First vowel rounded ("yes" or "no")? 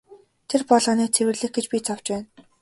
no